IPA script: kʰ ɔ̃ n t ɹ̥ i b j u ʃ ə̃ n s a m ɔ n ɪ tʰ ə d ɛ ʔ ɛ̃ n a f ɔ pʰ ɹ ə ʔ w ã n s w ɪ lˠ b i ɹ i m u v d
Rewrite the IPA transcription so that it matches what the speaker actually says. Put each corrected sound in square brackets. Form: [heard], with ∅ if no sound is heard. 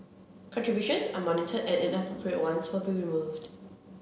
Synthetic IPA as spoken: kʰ ɔ̃ n t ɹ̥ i b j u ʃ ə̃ n s a m ɔ n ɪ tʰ ə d ɛ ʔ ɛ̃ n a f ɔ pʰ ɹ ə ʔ w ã n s w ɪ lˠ b i ɹ i m u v d